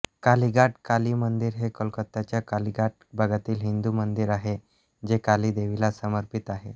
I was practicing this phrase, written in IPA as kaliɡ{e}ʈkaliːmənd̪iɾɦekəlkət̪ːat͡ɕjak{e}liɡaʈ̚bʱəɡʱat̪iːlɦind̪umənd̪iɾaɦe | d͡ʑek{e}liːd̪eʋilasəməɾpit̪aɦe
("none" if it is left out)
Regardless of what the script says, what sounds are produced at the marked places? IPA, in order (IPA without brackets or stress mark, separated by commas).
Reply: a, a, a